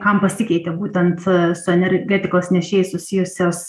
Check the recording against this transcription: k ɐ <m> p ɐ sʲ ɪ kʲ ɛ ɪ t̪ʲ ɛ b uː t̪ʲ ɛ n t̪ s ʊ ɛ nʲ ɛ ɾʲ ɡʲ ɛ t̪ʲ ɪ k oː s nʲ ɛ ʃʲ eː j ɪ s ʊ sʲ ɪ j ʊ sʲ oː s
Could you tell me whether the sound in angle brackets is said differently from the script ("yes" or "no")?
no